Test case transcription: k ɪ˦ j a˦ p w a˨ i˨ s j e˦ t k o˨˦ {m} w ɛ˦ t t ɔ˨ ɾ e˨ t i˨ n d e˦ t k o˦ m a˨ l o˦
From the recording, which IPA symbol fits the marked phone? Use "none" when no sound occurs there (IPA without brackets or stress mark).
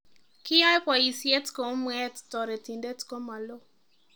m